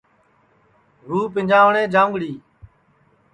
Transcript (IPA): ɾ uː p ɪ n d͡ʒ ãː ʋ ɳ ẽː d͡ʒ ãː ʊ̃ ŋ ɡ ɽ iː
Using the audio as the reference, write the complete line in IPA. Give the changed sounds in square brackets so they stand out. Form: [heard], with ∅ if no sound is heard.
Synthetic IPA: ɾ uː p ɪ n d͡ʒ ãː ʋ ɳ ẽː d͡ʒ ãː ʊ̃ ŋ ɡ ɽ iː